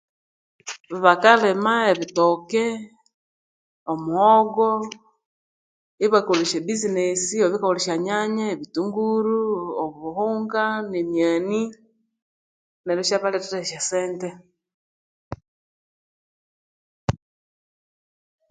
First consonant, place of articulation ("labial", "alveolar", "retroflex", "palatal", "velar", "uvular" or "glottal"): labial